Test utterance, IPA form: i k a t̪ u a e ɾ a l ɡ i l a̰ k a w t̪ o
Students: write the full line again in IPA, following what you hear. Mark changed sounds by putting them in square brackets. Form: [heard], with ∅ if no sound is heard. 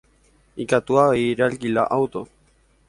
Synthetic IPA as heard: i k a t̪ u a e ɾ a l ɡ i l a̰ [ʔ] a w t̪ o